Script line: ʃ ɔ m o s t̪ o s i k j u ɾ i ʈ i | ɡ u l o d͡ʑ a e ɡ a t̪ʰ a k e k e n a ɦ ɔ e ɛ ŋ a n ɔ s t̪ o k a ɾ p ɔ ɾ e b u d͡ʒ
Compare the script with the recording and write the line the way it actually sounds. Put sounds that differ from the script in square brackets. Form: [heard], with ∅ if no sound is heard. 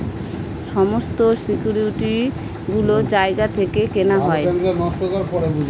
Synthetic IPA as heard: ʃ ɔ m o s t̪ o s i k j u ɾ i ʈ i | ɡ u l o d͡ʑ a e ɡ a t̪ʰ [e] k e k e n a ɦ ɔ e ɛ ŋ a n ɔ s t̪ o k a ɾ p ɔ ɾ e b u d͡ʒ